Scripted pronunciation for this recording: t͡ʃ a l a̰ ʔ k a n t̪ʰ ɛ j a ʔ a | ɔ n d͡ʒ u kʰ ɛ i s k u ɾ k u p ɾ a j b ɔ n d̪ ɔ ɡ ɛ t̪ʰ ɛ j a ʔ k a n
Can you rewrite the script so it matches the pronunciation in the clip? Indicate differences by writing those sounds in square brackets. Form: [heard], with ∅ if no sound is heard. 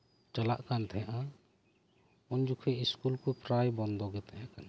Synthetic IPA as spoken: t͡ʃ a l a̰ ʔ k a n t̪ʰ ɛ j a ʔ a | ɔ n d͡ʒ u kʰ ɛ i s k u [l] k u p ɾ a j b ɔ n d̪ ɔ ɡ ɛ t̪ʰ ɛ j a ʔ k a n